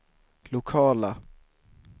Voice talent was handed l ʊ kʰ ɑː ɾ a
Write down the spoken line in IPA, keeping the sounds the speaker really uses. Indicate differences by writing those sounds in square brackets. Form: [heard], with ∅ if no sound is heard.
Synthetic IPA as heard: l ʊ kʰ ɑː [l] a